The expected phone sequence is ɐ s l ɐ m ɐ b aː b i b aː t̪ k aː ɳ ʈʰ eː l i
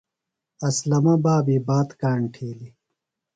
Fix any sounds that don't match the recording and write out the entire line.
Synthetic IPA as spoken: ɐ s l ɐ m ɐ b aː b i b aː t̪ k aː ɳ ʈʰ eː l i